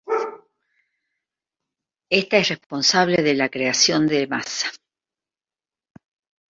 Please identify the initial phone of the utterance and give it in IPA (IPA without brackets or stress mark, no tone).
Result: e